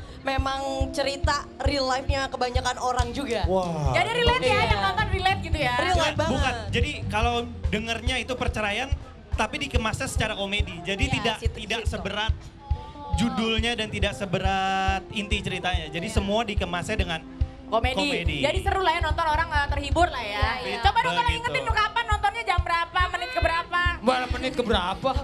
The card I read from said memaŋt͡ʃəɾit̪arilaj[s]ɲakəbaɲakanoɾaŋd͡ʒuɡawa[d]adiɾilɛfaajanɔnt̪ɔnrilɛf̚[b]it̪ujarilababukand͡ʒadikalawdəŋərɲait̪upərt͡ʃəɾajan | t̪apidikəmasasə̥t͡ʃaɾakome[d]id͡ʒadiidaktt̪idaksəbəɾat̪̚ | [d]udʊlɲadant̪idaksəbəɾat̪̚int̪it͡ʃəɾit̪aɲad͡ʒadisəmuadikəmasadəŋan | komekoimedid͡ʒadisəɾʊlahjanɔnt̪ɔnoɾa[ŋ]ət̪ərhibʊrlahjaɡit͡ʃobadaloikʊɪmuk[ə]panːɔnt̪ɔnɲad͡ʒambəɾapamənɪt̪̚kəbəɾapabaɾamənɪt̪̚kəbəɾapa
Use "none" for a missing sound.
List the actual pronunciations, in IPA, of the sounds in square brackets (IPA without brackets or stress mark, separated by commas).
f, d͡ʒ, ɡ, d, d͡ʒ, ŋ, a